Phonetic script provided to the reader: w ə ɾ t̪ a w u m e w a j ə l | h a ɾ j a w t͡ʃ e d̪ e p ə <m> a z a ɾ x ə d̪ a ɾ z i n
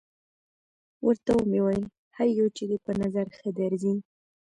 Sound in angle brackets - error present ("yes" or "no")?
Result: yes